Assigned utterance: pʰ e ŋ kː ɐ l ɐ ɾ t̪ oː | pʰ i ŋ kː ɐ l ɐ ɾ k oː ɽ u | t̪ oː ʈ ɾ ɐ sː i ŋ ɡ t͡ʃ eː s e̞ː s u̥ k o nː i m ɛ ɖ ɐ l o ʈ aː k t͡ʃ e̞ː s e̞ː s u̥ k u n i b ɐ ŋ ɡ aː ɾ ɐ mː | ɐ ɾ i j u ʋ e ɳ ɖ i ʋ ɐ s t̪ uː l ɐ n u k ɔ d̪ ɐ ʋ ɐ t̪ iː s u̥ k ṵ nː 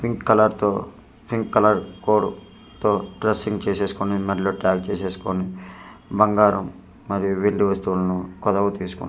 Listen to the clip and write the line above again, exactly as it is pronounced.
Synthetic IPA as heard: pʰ i ŋ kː ɐ l ɐ ɾ t̪ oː | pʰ i ŋ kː ɐ l ɐ ɾ k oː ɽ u | t̪ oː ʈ ɾ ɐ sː i ŋ ɡ t͡ʃ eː s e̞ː s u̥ k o n i m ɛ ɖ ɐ l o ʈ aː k t͡ʃ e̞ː s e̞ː s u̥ k o n i b ɐ ŋ ɡ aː ɾ ɐ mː | ɐ ɾ i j u ʋ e ɳ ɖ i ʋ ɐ s t̪ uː l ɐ n u k ɔ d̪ ɐ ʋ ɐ t̪ iː s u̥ k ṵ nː